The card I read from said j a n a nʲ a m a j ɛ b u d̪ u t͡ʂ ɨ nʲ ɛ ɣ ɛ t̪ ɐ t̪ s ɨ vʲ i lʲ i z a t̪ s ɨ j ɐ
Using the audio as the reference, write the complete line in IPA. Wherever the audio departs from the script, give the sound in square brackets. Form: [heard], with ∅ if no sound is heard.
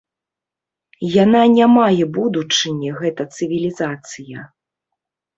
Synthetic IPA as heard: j a n a nʲ a m a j ɛ b u d̪ u t͡ʂ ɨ nʲ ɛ ɣ ɛ t̪ ɐ t̪ s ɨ vʲ i lʲ i z a t̪ s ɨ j ɐ